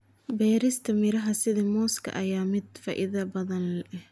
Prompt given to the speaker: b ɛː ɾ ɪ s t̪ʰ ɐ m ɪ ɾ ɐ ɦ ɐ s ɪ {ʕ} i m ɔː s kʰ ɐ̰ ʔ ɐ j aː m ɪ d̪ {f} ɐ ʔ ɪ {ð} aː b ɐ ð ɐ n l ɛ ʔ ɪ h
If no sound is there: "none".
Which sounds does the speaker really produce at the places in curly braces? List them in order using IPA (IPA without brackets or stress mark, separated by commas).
ð, f, ð